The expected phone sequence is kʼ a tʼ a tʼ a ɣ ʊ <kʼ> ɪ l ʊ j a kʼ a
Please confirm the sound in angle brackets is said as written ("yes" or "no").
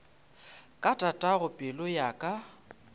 no